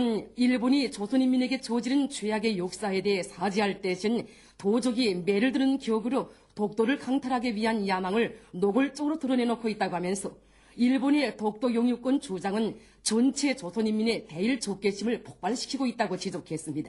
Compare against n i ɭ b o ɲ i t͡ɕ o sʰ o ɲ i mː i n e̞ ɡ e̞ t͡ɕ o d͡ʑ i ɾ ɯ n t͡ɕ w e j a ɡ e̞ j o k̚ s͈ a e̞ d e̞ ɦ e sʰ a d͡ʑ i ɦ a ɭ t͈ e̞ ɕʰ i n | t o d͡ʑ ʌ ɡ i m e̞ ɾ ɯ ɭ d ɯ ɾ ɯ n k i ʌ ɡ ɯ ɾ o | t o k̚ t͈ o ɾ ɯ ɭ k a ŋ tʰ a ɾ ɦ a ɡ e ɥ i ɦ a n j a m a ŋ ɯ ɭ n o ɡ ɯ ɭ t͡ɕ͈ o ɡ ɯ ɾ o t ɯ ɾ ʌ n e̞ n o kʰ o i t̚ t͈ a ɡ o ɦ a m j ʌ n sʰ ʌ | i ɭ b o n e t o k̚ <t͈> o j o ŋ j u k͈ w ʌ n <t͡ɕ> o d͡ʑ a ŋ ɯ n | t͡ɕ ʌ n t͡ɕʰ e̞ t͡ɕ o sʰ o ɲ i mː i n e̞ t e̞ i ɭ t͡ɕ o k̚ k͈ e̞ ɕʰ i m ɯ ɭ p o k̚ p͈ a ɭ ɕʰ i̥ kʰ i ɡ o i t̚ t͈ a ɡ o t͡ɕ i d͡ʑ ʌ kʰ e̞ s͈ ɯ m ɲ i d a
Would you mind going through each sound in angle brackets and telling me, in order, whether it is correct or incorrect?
correct, correct

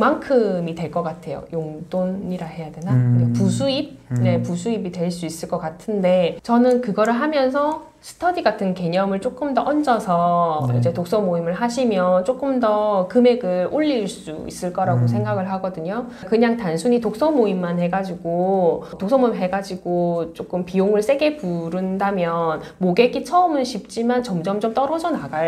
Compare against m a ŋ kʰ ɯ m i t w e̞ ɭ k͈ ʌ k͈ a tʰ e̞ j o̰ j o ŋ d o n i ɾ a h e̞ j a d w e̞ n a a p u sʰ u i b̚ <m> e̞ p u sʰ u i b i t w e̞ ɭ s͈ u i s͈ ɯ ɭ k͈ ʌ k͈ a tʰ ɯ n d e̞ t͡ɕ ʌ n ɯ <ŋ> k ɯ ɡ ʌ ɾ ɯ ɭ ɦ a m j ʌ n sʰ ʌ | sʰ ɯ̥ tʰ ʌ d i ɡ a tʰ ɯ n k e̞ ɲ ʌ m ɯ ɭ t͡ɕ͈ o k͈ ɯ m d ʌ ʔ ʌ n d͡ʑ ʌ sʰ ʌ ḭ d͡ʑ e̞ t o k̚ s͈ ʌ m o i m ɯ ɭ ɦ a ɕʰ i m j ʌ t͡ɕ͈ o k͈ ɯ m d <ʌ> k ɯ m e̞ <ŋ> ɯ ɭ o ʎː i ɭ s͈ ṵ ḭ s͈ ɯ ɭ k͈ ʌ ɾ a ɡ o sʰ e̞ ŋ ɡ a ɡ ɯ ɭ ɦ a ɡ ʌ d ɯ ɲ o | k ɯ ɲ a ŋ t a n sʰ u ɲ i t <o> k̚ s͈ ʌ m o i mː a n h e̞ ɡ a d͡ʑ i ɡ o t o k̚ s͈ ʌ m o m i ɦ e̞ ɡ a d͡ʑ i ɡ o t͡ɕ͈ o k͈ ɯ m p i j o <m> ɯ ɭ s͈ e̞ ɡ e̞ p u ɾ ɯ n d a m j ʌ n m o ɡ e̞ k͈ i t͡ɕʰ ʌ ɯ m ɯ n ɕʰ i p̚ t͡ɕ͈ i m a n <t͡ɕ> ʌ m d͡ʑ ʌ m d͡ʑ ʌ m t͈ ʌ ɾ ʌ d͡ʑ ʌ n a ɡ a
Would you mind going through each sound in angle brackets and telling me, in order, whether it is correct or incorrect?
incorrect: n, incorrect: n, correct, incorrect: ɡ, correct, incorrect: ŋ, correct

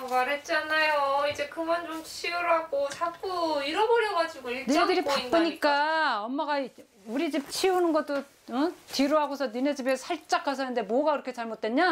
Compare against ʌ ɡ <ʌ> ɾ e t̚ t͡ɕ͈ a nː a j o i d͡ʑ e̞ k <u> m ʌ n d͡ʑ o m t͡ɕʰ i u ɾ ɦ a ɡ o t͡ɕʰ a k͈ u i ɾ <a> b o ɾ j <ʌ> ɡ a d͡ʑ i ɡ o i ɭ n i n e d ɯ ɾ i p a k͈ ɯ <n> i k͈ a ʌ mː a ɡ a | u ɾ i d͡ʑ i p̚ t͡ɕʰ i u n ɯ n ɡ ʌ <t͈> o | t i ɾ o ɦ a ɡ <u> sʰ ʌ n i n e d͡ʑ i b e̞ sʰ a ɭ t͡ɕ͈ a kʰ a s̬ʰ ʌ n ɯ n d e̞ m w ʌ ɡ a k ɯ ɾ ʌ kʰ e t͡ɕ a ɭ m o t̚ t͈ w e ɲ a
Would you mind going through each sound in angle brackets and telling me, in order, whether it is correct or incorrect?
incorrect: a, incorrect: ɯ, incorrect: ʌ, correct, incorrect: ɲ, correct, incorrect: o

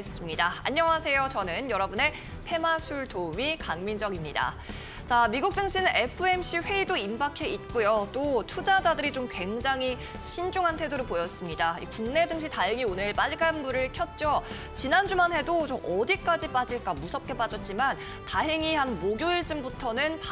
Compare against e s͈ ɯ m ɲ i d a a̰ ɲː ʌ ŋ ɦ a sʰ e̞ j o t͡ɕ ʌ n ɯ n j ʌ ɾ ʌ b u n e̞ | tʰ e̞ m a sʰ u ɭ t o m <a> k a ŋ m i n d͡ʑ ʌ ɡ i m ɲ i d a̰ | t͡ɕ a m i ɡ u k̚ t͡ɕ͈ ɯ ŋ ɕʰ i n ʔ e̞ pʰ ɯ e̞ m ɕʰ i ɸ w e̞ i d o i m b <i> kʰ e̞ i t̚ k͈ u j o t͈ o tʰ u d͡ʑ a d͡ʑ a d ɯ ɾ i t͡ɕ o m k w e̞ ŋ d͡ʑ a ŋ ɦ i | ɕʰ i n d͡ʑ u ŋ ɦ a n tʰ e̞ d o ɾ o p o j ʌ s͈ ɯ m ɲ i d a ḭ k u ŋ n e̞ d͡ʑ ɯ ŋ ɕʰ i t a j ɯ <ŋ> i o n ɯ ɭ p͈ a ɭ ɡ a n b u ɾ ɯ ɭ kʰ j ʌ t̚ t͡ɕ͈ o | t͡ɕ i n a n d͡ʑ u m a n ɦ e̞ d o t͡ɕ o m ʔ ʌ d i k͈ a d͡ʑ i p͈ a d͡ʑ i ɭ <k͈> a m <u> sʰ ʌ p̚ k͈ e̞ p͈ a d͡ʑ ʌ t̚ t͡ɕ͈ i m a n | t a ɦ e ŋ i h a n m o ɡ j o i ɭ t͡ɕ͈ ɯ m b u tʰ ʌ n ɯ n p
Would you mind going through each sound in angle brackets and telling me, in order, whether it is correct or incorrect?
incorrect: i, incorrect: a, correct, correct, correct

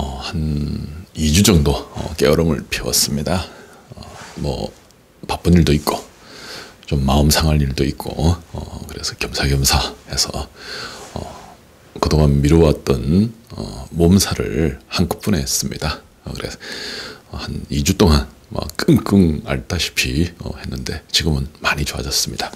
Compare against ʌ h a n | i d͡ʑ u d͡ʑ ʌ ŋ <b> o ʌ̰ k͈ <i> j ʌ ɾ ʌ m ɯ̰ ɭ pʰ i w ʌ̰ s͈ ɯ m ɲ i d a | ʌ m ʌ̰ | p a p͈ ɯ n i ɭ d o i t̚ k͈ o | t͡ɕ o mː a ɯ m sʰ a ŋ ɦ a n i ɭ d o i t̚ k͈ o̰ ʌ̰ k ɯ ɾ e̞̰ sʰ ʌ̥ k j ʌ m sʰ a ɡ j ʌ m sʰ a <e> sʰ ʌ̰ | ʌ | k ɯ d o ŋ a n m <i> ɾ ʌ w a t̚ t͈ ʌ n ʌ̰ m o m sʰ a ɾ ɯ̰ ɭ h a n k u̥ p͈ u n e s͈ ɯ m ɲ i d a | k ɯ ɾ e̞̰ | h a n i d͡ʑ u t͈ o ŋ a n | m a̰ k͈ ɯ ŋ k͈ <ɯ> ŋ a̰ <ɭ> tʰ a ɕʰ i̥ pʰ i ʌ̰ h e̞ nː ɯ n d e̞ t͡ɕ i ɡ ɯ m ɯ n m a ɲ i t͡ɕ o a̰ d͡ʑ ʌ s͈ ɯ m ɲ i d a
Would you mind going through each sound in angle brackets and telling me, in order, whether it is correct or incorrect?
incorrect: d, incorrect: e, correct, correct, correct, correct

